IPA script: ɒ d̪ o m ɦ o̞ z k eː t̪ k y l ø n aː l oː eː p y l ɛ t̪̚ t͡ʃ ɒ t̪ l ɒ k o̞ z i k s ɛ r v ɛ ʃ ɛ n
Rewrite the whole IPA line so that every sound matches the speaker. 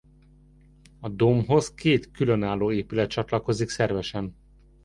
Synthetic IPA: ɒ d̪ o m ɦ o̞ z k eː t̪ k y l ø n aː l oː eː p y l ɛ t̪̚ t͡ʃ ɒ t̪ l ɒ k o̞ z i k s ɛ r v ɛ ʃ ɛ n